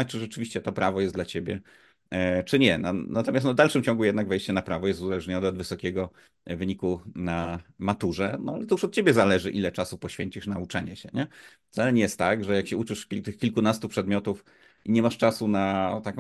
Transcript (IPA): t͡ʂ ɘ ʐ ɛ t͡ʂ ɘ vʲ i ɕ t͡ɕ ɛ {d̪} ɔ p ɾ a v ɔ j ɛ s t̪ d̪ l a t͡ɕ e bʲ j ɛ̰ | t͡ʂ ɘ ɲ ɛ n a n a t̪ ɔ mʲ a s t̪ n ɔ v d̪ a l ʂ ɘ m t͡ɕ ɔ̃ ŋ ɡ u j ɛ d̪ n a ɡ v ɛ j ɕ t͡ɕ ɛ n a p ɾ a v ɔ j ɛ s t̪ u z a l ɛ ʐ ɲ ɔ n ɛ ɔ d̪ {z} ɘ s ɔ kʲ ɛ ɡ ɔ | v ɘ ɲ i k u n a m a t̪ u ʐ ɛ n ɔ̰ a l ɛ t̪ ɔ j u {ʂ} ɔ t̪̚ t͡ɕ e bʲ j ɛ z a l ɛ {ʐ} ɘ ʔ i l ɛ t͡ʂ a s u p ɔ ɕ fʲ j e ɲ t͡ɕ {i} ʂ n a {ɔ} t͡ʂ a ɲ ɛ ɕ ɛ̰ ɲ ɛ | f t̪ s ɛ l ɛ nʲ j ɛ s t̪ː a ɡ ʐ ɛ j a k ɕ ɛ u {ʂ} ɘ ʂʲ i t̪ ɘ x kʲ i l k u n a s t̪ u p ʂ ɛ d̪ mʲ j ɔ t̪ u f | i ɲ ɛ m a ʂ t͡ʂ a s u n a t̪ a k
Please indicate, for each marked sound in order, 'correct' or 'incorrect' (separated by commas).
incorrect, incorrect, correct, correct, correct, incorrect, incorrect